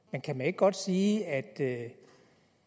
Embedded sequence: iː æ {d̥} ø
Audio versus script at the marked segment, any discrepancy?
no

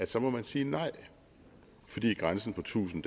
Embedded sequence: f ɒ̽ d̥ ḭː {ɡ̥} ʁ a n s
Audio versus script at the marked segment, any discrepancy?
no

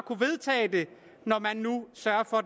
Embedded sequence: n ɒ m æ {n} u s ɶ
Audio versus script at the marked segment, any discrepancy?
yes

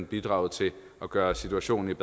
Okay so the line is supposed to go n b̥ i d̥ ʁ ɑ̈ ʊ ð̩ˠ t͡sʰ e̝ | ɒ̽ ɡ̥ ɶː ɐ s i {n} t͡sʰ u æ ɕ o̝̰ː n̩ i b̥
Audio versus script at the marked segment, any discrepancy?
yes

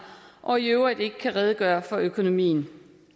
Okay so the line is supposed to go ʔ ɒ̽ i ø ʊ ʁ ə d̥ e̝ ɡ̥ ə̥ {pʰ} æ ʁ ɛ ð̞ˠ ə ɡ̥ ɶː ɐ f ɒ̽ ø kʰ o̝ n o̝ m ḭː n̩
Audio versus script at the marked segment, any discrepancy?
yes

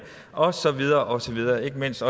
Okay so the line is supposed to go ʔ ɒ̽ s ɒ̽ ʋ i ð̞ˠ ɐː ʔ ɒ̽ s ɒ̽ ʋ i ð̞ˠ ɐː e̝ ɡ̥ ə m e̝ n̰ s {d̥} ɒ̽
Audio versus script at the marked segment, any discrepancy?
no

